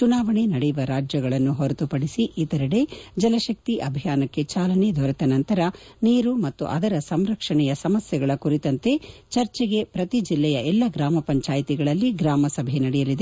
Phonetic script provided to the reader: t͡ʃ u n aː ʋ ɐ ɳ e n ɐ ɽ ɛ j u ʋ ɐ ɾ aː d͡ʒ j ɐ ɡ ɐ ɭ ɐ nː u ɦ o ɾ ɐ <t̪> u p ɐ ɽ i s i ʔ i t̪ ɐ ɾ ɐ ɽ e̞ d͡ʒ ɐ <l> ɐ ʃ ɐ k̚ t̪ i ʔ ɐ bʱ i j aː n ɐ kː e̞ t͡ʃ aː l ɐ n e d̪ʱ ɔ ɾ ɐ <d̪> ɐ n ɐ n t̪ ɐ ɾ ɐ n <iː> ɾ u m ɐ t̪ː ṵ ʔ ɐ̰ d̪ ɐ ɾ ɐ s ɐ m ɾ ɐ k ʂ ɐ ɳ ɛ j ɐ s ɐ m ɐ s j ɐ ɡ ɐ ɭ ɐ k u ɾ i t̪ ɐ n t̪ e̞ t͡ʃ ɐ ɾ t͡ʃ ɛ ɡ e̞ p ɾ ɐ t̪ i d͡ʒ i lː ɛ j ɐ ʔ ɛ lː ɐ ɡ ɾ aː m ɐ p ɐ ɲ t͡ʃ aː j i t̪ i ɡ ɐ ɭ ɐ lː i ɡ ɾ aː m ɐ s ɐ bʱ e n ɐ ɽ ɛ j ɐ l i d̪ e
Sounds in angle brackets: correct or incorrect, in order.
correct, correct, incorrect, correct

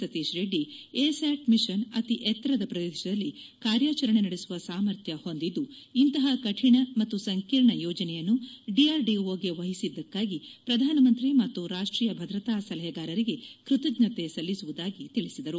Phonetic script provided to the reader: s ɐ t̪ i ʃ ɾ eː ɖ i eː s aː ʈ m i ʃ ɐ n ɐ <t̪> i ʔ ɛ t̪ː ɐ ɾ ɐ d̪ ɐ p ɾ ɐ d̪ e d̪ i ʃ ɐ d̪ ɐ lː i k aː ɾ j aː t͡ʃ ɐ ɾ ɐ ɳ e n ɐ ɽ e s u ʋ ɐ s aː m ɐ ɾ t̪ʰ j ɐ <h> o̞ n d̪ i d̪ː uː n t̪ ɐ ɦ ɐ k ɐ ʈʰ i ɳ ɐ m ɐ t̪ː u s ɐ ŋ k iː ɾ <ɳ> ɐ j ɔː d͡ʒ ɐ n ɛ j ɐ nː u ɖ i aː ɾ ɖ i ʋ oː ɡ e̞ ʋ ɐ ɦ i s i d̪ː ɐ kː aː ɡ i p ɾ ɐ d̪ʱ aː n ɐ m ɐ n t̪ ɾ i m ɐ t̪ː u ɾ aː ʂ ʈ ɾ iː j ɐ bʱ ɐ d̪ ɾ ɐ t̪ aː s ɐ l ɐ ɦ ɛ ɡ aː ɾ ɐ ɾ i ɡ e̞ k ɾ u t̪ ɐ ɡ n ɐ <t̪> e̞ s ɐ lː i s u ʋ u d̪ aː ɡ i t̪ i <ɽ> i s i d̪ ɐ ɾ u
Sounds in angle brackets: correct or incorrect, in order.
correct, correct, correct, correct, incorrect

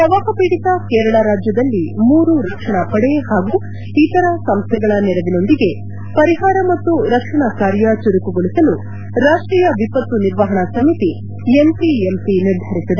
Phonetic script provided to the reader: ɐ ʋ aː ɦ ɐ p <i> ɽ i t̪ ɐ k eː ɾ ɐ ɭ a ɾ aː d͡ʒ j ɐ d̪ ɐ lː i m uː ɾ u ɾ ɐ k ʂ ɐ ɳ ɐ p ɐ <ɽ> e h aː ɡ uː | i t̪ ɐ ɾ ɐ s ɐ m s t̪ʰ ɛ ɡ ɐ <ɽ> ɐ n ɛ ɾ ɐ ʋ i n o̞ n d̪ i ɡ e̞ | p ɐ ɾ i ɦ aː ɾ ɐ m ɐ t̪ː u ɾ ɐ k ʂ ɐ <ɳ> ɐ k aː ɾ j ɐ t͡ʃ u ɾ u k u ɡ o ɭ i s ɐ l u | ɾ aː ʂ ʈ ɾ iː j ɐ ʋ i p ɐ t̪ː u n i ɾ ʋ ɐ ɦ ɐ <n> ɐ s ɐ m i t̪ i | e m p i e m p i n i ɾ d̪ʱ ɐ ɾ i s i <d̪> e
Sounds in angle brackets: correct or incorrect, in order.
incorrect, correct, incorrect, correct, incorrect, correct

